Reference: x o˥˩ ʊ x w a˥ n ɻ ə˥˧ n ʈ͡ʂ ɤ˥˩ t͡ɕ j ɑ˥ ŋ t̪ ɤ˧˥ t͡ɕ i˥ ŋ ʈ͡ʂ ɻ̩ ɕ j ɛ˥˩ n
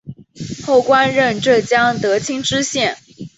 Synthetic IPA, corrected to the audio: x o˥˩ ʊ k w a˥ n ɻ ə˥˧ n ʈ͡ʂ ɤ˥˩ t͡ɕ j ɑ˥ ŋ t̪ ɤ˧˥ t͡ɕʰ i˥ ŋ ʈ͡ʂ ɻ̩ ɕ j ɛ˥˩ n